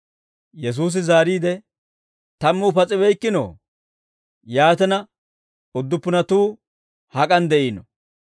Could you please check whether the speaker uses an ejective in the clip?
yes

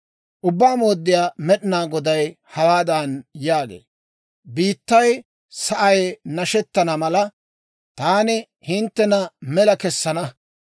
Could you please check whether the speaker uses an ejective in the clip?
no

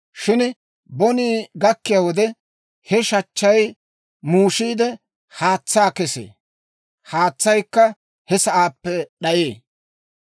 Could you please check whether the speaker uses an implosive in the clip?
yes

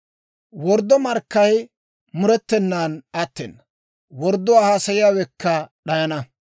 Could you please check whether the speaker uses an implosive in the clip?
yes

